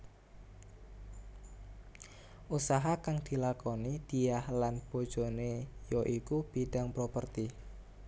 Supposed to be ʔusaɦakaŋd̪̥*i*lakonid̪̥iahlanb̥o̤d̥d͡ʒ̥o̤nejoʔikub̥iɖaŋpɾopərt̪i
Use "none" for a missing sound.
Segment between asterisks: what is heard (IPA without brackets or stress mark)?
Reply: i